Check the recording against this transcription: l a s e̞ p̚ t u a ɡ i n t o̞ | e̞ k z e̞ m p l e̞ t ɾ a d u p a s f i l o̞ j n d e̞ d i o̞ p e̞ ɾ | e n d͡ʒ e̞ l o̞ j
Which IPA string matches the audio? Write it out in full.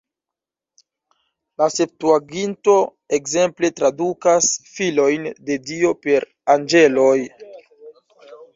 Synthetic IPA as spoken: l a s e̞ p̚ t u a ɡ i n t o̞ | e̞ k z e̞ m p l e̞ t ɾ a d u k a s f i l o̞ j n d e̞ d i o̞ p e̞ ɾ | a n d͡ʒ e̞ l o̞ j